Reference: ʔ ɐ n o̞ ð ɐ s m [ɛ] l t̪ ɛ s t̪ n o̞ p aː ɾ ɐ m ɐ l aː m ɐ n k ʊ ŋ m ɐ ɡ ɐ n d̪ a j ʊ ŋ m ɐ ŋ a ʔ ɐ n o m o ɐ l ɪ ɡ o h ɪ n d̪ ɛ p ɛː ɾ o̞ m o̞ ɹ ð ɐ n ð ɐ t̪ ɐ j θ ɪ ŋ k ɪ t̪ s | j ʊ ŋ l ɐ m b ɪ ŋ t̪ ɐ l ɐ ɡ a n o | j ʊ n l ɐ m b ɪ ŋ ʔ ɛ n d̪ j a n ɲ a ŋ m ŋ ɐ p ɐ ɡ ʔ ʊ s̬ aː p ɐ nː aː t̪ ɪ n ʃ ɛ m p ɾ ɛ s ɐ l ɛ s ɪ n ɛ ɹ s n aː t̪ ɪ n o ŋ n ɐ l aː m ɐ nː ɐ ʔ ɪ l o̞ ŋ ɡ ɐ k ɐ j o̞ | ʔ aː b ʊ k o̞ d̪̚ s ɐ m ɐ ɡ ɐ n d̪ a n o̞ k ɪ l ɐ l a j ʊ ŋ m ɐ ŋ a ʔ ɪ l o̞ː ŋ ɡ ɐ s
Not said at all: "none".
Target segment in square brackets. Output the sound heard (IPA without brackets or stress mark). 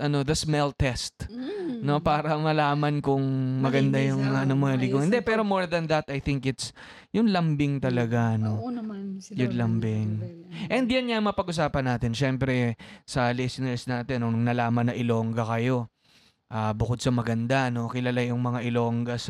ɛ